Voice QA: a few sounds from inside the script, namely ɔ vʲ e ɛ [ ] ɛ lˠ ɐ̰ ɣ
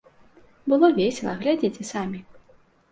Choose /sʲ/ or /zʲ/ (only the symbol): sʲ